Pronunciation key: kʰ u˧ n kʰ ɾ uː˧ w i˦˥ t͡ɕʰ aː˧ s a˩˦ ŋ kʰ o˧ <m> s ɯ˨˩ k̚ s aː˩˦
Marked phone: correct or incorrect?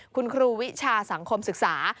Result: correct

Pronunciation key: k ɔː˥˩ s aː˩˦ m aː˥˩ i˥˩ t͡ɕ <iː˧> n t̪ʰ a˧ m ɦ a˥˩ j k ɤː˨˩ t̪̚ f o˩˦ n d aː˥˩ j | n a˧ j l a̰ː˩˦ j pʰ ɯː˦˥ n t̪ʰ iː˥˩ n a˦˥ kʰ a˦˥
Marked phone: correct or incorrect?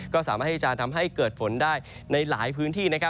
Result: incorrect: aː˧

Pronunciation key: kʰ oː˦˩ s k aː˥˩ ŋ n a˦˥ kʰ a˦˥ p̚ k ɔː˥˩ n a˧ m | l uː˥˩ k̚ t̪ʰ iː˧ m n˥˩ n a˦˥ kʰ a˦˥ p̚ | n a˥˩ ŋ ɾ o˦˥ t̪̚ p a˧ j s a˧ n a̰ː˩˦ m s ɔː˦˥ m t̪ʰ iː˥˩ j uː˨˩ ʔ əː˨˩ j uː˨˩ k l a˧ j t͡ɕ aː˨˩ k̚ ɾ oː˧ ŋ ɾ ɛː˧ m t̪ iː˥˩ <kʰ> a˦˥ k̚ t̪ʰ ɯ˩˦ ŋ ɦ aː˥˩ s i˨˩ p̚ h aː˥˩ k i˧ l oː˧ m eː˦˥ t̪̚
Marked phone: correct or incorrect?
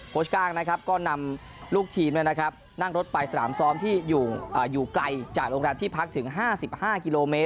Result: incorrect: pʰ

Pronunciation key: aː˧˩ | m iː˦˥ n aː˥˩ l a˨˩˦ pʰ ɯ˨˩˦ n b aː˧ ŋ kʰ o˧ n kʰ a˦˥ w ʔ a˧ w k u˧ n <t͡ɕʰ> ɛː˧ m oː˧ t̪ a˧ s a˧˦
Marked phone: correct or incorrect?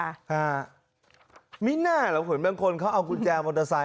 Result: incorrect: t͡ɕ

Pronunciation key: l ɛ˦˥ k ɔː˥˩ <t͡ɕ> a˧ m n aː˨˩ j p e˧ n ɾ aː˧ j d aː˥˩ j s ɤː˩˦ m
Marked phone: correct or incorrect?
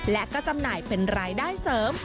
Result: correct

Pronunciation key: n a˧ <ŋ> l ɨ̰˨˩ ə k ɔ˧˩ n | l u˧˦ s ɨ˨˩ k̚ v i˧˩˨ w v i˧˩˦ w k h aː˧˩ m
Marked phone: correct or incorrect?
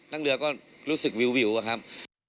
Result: correct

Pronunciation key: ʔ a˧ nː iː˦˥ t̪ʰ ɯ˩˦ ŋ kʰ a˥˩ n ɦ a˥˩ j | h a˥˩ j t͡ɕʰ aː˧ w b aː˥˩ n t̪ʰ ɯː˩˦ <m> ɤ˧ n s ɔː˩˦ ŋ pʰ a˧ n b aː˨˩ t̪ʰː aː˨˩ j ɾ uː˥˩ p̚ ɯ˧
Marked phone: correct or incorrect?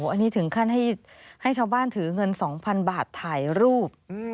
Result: incorrect: ŋ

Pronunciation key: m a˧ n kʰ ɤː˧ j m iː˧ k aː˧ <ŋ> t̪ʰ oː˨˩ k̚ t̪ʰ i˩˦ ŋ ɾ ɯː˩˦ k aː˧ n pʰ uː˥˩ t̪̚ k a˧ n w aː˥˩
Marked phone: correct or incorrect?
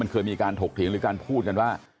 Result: incorrect: n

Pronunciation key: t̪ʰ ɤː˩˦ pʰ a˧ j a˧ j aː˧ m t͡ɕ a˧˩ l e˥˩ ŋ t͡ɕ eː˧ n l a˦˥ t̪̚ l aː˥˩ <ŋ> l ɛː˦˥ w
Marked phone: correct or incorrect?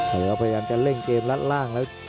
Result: correct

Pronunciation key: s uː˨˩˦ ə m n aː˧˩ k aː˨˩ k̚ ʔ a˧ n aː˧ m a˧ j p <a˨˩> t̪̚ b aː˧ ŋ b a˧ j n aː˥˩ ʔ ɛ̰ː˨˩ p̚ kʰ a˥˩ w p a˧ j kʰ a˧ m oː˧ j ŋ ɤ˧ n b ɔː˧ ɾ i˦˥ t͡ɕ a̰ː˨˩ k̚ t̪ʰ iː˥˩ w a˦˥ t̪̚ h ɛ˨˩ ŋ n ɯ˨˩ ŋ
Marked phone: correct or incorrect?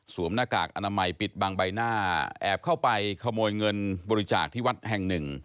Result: incorrect: i˨˩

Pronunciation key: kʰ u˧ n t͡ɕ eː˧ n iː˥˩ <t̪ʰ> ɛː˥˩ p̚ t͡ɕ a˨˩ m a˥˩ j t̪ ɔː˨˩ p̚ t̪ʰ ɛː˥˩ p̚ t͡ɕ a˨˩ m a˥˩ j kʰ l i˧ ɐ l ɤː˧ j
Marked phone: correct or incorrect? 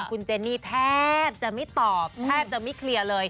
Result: correct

